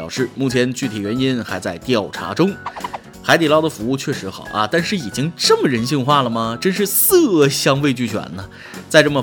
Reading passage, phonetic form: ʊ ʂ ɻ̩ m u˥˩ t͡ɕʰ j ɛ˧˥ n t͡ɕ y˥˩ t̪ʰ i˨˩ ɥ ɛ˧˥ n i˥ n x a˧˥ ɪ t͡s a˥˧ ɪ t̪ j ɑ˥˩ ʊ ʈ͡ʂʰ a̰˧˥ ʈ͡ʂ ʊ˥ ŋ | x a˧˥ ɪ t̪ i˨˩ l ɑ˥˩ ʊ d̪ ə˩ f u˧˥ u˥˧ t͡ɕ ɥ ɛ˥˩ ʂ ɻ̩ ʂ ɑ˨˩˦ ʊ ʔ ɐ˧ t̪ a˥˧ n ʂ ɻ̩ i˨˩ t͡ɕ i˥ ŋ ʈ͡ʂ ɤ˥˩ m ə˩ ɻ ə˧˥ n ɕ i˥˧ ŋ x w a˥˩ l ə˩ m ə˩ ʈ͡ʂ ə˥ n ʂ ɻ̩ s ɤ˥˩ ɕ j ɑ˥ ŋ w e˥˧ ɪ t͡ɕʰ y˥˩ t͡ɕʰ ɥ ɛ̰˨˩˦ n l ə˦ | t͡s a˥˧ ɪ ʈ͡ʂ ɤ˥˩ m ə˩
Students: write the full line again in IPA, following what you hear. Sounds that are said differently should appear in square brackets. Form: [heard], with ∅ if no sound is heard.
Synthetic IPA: ʊ ʂ ɻ̩ m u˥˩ t͡ɕʰ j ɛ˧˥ n t͡ɕ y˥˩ t̪ʰ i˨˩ ɥ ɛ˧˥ n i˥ n x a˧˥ ɪ t͡s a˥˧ ɪ t̪ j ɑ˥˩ ʊ ʈ͡ʂʰ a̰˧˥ ʈ͡ʂ ʊ˥ ŋ | x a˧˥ ɪ t̪ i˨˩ l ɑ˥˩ ʊ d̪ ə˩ f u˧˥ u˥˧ [t͡ɕʰ] ɥ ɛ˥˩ ʂ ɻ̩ [x] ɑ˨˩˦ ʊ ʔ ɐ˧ t̪ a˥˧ n ʂ ɻ̩ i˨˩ t͡ɕ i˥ ŋ ʈ͡ʂ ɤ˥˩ m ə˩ ɻ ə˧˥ n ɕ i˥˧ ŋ x w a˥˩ l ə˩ m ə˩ ʈ͡ʂ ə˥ n ʂ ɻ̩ s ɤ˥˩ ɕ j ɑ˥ ŋ w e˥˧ ɪ [t͡ɕ] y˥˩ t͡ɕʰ ɥ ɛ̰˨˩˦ n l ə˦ | t͡s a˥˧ ɪ ʈ͡ʂ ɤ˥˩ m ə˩